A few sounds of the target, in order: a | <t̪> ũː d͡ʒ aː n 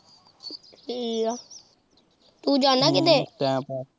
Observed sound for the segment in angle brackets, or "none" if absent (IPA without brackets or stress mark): t̪